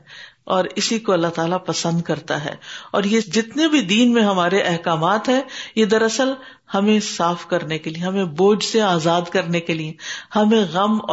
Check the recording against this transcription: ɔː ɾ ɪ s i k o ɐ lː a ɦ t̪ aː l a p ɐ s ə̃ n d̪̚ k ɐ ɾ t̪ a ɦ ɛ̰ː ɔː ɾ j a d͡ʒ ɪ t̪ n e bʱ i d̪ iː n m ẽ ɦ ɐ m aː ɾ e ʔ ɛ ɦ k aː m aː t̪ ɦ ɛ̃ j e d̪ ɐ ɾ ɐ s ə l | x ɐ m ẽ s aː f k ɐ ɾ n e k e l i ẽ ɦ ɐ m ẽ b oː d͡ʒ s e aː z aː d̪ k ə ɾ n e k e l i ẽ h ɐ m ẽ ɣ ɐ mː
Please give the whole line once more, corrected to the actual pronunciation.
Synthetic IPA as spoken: ɔː ɾ ɪ s i k o ɐ lː a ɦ t̪ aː l a p ɐ s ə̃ n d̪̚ k ɐ ɾ t̪ a ɦ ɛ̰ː ɔː ɾ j e d͡ʒ ɪ t̪ n e bʱ i d̪ iː n m ẽ ɦ ɐ m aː ɾ e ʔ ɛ ɦ k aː m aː t̪ ɦ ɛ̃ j e d̪ ɐ ɾ ɐ s ə l | h ɐ m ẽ s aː f k ɐ ɾ n e k e l i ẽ ɦ ɐ m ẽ b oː d͡ʒ s e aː z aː d̪ k ɐ ɾ n e k e l i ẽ h ɐ m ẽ ɣ ɐ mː